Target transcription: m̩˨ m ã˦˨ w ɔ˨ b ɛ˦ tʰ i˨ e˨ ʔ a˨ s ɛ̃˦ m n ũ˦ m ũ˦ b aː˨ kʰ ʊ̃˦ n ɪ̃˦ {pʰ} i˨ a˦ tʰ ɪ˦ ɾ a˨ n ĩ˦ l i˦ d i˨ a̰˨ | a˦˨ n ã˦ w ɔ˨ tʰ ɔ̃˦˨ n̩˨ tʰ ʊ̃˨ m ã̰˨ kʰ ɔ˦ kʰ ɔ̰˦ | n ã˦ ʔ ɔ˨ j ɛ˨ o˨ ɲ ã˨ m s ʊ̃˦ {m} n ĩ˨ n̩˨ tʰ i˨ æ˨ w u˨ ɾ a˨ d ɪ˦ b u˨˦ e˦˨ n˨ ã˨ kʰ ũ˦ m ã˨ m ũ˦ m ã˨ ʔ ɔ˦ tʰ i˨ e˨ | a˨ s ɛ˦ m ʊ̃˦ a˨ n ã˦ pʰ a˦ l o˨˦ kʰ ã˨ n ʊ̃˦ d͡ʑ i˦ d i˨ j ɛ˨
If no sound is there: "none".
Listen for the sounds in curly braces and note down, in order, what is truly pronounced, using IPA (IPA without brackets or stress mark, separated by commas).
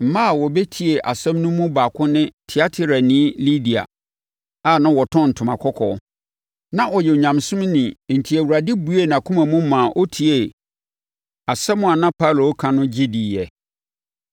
tʰ, m